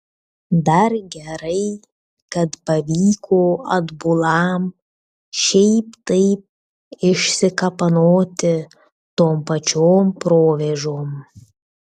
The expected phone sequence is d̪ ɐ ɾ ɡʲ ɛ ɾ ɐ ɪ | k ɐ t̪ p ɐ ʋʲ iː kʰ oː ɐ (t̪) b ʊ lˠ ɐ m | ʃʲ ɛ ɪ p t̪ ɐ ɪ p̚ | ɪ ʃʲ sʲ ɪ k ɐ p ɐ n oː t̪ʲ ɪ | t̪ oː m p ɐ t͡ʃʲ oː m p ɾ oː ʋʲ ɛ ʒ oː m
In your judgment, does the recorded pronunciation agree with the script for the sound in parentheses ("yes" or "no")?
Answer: no